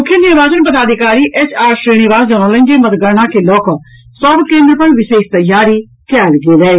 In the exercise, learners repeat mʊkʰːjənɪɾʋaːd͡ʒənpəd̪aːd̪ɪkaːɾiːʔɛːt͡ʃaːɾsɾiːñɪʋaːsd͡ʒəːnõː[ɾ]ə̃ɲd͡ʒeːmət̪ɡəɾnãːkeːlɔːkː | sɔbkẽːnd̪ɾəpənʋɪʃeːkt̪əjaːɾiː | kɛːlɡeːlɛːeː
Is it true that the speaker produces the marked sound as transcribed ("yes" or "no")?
no